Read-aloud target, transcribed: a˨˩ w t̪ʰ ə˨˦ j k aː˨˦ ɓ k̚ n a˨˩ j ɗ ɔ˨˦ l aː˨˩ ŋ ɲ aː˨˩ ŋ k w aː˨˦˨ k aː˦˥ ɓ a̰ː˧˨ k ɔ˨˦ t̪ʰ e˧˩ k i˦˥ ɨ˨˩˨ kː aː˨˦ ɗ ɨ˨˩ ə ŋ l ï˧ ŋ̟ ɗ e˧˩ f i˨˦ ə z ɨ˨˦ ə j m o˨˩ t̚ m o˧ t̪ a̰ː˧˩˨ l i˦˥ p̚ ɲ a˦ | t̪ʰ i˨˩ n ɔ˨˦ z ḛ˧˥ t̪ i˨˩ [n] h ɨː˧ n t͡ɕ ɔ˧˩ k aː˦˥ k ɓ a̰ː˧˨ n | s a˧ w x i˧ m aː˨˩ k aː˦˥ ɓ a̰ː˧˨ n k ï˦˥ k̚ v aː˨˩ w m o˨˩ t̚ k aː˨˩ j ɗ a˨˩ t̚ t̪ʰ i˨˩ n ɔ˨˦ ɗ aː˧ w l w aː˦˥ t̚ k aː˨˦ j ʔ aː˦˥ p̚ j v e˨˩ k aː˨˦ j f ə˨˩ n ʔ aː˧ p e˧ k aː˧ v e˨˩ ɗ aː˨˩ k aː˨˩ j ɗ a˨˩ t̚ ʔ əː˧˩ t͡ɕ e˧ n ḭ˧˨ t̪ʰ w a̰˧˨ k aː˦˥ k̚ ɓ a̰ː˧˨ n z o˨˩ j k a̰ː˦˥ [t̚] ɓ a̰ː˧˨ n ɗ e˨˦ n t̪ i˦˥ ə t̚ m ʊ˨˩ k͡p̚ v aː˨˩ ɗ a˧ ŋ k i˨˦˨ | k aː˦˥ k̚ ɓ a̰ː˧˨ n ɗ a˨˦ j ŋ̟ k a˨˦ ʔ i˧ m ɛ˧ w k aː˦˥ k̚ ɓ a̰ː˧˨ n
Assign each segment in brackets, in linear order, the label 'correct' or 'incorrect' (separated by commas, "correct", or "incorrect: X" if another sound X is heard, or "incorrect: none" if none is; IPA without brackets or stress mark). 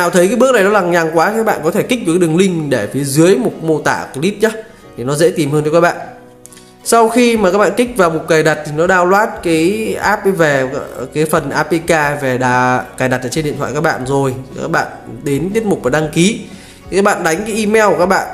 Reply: incorrect: m, incorrect: k̚